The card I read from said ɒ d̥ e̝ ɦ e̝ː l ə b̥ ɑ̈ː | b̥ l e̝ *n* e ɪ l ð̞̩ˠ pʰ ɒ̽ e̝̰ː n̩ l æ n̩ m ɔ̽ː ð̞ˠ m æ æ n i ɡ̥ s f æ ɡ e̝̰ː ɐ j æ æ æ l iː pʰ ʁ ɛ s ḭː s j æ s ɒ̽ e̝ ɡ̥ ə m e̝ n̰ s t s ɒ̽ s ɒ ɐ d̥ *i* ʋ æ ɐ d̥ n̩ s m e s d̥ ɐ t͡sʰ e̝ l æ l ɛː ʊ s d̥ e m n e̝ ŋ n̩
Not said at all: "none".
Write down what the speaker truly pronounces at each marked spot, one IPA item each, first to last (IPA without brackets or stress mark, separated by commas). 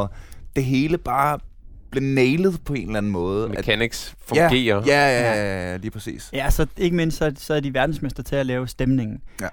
n, i